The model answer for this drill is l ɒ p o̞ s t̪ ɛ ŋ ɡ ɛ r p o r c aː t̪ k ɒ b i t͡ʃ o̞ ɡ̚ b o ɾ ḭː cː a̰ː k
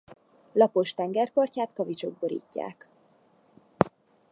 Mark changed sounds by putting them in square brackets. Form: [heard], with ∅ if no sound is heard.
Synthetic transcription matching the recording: l ɒ p o̞ [ʃ] t̪ ɛ ŋ ɡ ɛ r p o r c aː t̪ k ɒ [v] i t͡ʃ o̞ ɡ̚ b o ɾ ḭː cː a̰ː k